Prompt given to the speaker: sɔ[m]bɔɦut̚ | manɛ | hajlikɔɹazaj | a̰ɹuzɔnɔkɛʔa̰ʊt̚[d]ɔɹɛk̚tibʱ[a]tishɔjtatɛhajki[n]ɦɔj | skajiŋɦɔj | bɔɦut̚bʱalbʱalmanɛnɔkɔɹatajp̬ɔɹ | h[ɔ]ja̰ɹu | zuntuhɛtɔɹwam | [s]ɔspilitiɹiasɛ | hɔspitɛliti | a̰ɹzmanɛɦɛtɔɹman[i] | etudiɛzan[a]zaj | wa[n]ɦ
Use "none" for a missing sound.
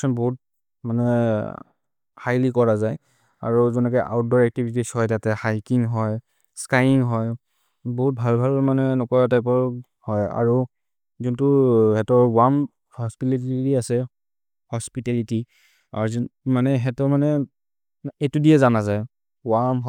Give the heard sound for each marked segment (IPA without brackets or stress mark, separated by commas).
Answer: n, d, i, ŋ, ɔ, h, ɛ, a, m